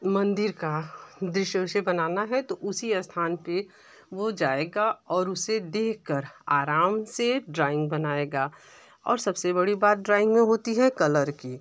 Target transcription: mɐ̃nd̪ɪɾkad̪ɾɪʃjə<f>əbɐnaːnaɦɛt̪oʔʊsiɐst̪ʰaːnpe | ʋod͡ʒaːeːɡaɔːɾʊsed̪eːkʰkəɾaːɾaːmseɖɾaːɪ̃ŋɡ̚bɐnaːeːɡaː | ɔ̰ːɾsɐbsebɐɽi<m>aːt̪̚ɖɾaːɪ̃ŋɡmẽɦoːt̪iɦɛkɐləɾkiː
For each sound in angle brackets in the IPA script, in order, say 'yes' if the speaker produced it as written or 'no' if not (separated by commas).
no, no